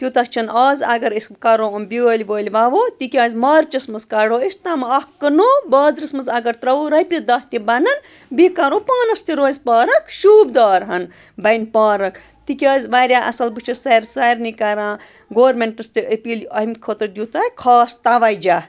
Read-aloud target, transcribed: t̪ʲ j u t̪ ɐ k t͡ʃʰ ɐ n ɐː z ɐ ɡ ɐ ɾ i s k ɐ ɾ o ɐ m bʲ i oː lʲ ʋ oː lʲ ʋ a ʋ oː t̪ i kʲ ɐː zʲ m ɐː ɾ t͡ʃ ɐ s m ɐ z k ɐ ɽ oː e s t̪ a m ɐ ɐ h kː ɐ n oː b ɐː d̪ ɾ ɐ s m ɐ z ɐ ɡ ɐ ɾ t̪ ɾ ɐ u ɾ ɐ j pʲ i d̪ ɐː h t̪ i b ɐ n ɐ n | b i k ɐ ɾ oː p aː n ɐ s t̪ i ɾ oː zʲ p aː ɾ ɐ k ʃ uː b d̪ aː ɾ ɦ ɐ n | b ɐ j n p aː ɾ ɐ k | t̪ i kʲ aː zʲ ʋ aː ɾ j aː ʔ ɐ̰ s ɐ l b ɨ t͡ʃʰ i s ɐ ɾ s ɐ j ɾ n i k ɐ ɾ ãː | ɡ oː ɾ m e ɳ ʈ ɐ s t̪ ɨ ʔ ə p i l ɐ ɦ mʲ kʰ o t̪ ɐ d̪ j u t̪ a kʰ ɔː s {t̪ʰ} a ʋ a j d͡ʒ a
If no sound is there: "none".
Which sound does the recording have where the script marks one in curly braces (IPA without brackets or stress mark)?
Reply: t̪